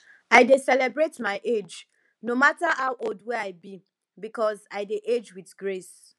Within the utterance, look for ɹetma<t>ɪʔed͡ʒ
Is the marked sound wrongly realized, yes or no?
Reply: yes